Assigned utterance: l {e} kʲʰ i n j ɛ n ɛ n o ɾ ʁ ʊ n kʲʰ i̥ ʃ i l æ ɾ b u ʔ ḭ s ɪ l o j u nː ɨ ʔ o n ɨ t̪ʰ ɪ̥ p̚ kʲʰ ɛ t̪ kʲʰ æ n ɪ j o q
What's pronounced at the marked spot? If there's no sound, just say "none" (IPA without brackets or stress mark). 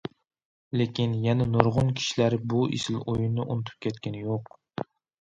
e